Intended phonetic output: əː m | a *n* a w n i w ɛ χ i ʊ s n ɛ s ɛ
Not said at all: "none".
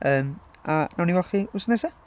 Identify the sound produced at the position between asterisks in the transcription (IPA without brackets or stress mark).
n